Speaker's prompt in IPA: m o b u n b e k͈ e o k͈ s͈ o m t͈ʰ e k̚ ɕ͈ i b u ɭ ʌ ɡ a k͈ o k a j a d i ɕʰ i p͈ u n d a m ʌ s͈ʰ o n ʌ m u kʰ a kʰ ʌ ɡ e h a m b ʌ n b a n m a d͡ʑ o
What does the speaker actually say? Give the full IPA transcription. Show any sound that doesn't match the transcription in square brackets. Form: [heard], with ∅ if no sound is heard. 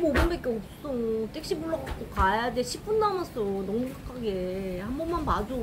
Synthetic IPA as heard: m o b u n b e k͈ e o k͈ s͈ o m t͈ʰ e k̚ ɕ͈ i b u ɭ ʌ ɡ a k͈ o k a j a d [e] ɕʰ i p͈ u n d a m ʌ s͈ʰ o n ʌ m u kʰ a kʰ [a] ɡ e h a m b ʌ n [m] a n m a d͡ʑ o